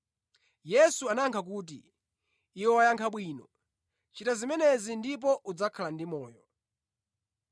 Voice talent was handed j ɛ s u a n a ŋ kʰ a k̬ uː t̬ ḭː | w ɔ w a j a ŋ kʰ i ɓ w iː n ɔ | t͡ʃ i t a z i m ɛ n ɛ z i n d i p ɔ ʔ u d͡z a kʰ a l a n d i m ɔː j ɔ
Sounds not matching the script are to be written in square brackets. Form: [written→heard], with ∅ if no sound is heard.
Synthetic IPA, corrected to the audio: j ɛ s u a n a ŋ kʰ a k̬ uː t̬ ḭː | w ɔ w a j a ŋ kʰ [i→a] ɓ w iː n ɔ | t͡ʃ i t a z i m ɛ n ɛ z i n d i p ɔ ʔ u d͡z a kʰ a l a n d i m ɔː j ɔ